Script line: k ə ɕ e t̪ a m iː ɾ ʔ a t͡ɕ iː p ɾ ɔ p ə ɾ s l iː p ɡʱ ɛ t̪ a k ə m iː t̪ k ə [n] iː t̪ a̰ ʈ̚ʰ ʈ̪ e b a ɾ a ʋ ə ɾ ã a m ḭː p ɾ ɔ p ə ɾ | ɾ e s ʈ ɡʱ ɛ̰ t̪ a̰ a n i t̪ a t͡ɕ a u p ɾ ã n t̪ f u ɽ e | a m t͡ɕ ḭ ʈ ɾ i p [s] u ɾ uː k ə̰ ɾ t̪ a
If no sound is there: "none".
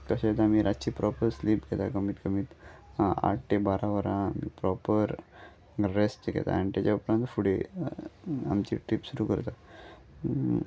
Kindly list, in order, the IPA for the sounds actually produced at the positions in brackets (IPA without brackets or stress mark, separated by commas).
m, s